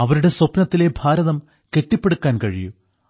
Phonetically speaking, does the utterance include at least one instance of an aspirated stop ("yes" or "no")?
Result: no